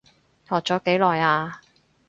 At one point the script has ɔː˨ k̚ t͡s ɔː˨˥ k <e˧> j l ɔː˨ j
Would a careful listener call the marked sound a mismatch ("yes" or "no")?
yes